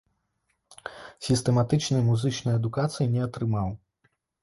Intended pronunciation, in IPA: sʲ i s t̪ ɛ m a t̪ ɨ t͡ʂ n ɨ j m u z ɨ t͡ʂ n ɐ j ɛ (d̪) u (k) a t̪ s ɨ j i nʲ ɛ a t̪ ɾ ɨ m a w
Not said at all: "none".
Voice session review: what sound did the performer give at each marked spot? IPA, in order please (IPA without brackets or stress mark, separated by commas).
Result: d̪, k